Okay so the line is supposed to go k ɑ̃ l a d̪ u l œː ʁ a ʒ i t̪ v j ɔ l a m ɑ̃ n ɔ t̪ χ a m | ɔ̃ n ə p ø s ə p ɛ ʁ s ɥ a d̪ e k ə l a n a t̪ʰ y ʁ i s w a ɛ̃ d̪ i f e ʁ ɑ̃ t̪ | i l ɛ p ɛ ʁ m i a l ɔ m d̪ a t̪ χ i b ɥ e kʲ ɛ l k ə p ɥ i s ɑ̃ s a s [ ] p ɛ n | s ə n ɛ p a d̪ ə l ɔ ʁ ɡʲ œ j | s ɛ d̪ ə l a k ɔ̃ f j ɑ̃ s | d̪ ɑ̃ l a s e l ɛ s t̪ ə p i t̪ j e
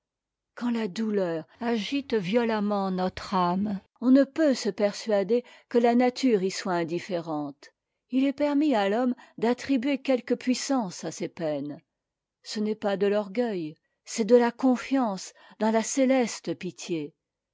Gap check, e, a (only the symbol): e